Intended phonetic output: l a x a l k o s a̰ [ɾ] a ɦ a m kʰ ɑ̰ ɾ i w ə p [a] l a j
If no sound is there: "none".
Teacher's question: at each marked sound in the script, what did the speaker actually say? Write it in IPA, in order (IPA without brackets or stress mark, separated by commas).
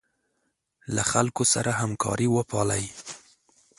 ɾ, ɑ